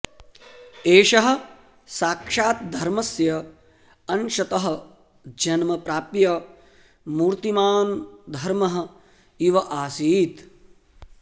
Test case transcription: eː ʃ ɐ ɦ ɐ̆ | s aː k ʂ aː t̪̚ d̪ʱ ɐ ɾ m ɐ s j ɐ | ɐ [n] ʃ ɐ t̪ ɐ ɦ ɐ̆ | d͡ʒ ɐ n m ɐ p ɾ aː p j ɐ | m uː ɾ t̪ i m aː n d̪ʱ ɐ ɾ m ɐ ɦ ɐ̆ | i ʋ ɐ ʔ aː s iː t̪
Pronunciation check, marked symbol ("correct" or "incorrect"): correct